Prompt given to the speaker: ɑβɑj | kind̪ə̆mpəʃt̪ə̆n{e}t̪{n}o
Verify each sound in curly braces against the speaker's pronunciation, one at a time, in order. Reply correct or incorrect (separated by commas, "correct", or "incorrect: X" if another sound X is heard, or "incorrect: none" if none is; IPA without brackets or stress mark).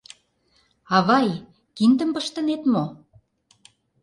correct, incorrect: m